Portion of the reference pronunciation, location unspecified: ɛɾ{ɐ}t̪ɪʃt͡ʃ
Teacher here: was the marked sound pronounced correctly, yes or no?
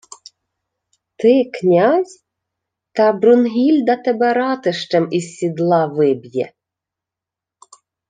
no